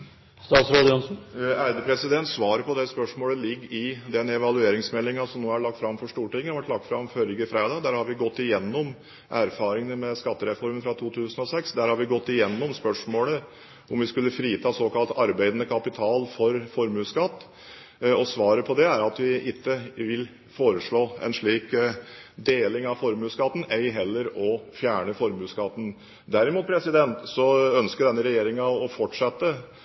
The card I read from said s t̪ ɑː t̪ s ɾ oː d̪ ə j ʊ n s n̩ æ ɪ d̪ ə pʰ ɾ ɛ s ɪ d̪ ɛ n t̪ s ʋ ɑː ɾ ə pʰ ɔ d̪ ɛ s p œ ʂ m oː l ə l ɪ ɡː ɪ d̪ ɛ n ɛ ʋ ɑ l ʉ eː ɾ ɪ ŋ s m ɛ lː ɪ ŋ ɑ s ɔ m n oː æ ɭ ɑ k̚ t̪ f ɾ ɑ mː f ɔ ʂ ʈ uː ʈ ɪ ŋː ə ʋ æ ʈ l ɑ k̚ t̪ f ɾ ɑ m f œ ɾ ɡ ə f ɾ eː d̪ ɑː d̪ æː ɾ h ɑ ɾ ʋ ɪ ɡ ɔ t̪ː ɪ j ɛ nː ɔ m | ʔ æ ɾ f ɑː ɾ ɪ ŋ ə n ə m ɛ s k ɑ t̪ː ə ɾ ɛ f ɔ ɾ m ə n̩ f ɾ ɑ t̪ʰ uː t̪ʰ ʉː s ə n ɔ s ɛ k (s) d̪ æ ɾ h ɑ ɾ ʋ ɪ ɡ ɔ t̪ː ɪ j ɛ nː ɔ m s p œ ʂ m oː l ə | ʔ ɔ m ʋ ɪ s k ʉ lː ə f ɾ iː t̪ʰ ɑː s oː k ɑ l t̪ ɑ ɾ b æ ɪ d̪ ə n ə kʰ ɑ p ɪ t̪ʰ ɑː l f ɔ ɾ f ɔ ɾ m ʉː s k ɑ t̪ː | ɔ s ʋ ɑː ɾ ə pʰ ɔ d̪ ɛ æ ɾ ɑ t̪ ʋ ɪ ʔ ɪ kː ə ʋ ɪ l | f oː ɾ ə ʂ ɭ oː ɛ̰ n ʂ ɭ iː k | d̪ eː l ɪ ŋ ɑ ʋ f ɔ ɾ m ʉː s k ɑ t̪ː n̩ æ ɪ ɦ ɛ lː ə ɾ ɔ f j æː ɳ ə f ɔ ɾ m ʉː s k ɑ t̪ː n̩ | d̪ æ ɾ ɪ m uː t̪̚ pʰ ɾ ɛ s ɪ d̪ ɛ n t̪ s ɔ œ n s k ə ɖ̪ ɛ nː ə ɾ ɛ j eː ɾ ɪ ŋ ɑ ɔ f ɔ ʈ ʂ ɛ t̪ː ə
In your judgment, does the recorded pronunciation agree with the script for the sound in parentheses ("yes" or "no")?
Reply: yes